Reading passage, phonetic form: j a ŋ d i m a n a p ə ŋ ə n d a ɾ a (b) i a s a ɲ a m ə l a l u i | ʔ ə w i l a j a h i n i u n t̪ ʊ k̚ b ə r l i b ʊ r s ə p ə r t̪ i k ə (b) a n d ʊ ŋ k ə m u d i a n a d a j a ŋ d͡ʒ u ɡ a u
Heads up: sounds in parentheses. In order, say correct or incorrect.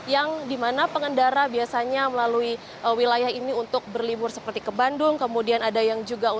correct, correct

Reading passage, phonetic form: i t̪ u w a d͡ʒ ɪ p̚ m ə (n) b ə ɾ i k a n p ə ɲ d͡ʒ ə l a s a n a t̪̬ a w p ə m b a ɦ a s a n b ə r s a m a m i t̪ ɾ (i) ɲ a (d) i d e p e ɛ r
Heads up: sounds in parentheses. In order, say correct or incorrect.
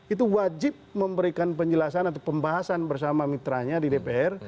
incorrect: m, incorrect: a, correct

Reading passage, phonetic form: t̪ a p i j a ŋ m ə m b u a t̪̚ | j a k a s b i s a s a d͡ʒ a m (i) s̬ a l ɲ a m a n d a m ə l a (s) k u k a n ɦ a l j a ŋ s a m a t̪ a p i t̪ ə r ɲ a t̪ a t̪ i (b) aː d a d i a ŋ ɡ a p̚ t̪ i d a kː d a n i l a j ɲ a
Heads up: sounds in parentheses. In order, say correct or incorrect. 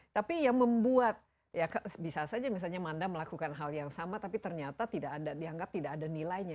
correct, incorrect: none, incorrect: d

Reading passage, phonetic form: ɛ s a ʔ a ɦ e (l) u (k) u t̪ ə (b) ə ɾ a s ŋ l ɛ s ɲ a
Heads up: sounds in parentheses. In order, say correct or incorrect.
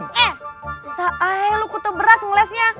correct, correct, correct

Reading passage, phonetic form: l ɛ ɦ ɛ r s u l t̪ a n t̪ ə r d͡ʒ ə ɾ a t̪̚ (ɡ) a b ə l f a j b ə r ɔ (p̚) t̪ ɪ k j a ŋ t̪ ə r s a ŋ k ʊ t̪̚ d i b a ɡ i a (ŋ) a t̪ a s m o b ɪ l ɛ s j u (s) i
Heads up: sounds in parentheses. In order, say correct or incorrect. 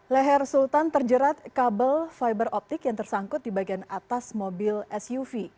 incorrect: k, correct, incorrect: n, incorrect: f

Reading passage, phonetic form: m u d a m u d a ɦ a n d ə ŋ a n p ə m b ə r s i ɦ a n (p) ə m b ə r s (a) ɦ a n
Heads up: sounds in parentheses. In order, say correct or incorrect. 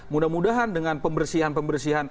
correct, incorrect: i

